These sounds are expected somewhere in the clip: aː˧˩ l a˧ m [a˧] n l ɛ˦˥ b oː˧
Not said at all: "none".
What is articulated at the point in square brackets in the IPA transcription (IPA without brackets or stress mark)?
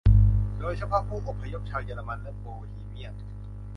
a˧